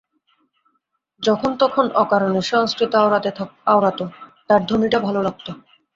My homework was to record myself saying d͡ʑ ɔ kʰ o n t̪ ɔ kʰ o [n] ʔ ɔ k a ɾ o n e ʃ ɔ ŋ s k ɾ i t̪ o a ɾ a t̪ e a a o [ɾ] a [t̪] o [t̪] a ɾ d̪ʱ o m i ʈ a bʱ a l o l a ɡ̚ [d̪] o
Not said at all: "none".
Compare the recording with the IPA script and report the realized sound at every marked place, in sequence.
n, ɾ, t̪, t̪, t̪

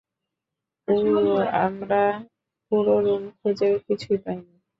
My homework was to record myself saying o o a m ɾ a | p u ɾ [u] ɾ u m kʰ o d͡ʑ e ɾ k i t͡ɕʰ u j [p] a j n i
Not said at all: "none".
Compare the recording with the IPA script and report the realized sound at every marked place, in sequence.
o, p

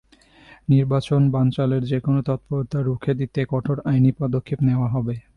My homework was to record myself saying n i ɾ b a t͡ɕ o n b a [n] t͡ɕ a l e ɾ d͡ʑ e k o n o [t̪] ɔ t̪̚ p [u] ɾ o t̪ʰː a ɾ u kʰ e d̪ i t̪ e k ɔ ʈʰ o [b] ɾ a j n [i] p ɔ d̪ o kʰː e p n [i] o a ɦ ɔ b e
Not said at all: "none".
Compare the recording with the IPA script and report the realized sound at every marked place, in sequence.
n, t̪, o, none, i, e

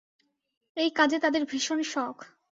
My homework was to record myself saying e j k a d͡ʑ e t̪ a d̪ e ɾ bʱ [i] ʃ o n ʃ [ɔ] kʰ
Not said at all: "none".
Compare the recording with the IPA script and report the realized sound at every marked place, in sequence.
i, ɔ

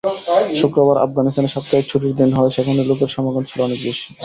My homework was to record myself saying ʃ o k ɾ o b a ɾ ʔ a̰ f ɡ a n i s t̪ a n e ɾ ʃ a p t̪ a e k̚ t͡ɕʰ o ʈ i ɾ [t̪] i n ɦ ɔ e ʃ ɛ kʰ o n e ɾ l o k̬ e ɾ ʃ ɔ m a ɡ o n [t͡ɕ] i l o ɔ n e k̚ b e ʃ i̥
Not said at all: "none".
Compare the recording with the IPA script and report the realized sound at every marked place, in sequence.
d̪, t͡ɕʰ

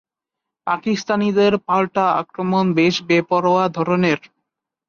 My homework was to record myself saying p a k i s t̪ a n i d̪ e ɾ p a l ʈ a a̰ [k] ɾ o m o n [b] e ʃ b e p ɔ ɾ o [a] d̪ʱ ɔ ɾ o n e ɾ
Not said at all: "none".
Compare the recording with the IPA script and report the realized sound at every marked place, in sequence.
k, b, a

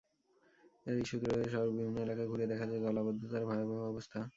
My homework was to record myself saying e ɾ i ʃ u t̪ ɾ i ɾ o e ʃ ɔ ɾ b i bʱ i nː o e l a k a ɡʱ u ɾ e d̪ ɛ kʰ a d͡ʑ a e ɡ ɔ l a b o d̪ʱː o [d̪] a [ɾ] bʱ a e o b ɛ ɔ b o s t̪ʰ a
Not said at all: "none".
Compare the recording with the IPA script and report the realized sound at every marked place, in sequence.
t̪, ɾ

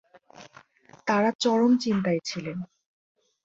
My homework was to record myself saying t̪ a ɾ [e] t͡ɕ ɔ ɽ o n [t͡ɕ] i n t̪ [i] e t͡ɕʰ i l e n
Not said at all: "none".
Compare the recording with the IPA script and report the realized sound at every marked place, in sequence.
a, t͡ɕ, a

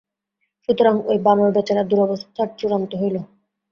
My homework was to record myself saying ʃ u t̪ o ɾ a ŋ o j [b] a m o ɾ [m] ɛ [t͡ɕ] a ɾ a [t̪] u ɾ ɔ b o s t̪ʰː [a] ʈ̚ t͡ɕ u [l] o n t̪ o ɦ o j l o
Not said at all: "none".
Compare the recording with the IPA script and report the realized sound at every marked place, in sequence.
b, b, t͡ɕ, d̪, a, ɾ

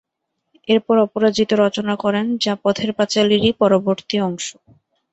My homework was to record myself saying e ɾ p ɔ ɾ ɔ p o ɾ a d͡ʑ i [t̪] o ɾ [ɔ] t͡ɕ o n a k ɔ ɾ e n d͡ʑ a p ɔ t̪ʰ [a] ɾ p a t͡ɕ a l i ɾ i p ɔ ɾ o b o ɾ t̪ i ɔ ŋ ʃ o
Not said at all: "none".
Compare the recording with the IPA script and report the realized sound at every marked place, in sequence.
t̪, ɔ, e

